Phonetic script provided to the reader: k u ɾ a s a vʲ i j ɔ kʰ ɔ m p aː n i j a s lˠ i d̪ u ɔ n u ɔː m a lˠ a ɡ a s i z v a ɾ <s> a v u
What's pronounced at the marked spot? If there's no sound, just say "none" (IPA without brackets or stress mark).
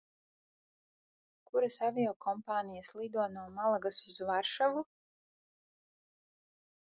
ʃ